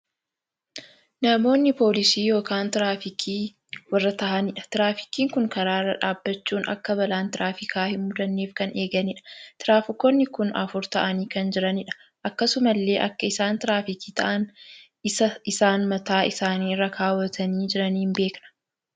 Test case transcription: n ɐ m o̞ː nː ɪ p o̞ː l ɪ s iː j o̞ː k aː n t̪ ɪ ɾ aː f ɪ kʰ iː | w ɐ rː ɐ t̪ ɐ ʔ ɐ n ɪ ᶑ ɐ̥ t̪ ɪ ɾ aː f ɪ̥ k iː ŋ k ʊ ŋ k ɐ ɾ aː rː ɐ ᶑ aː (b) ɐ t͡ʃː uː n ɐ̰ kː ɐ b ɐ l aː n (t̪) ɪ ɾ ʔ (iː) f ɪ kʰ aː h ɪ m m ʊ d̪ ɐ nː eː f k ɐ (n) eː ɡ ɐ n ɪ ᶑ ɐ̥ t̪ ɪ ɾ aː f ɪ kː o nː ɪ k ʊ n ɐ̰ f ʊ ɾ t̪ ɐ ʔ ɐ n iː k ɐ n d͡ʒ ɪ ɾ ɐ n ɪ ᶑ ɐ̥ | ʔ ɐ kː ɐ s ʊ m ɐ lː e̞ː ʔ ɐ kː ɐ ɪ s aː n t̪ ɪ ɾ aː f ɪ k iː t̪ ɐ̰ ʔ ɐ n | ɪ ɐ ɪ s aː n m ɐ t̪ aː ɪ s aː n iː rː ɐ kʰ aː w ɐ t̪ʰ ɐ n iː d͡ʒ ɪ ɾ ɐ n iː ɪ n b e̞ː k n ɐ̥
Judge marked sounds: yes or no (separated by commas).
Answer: no, yes, no, yes